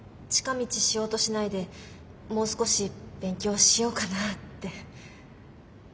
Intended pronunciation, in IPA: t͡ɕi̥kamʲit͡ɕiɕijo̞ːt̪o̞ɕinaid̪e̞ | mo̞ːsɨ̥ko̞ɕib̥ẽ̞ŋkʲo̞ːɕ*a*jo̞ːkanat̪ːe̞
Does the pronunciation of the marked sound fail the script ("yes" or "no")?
yes